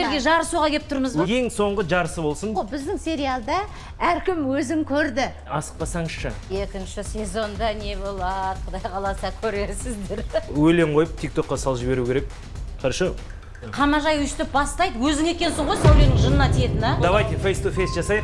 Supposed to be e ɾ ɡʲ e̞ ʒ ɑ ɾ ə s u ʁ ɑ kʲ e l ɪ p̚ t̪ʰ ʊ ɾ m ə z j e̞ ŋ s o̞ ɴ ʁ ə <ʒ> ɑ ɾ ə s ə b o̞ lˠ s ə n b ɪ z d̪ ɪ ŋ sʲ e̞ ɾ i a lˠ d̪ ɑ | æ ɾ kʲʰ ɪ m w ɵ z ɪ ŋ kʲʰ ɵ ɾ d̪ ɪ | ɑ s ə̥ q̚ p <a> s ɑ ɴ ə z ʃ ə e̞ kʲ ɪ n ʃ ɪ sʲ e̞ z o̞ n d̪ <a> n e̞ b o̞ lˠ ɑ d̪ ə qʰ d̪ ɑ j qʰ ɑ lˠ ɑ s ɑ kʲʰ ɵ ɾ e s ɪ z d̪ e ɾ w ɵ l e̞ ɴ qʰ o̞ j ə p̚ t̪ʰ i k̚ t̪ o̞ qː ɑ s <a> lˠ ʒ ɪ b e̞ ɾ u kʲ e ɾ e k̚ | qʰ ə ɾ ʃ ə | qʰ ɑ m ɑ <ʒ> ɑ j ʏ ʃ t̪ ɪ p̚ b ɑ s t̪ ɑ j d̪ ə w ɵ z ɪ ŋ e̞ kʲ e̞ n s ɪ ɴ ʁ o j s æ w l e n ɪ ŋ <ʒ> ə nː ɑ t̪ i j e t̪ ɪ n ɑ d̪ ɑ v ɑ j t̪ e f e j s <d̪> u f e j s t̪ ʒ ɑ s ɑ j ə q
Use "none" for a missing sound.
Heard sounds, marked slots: ʒ, ɑ, ɑ, ɑ, ʒ, ʒ, t̪

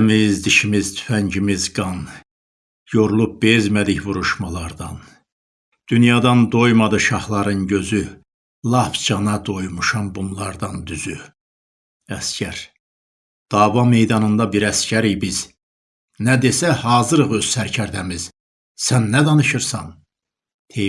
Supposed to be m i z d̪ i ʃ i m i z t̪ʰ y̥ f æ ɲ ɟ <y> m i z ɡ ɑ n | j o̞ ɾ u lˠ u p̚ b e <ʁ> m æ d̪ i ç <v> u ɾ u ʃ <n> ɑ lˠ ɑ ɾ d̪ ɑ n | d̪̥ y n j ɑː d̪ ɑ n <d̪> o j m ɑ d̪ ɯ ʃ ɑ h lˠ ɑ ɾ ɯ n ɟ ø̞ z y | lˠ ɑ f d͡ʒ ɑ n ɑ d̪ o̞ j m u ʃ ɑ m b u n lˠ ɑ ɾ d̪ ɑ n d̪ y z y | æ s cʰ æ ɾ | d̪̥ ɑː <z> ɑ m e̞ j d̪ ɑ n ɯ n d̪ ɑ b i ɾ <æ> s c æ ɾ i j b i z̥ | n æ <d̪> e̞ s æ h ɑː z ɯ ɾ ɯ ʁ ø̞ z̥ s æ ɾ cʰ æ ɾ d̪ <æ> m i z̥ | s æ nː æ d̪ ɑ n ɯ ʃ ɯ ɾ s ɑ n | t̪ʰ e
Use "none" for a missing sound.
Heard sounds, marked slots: i, z, v, m, d̪, v, æ, d̪, æ

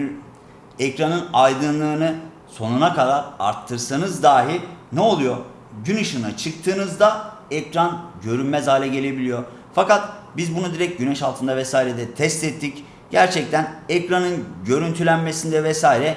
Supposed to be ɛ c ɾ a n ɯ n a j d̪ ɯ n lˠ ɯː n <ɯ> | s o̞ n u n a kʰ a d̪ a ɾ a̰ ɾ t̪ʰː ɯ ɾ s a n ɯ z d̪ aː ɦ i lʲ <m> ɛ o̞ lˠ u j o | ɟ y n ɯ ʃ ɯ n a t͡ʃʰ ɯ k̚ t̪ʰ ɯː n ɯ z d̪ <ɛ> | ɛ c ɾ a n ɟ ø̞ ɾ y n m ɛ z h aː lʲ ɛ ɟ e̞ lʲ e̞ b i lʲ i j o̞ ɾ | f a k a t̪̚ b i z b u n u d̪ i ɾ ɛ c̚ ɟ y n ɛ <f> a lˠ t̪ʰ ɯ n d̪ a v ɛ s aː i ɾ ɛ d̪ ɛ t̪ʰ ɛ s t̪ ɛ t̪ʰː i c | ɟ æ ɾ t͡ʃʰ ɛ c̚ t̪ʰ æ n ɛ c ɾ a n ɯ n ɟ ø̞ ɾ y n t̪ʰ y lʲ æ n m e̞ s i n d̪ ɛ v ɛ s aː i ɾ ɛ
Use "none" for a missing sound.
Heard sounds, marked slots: ɯ, n, a, ʃ

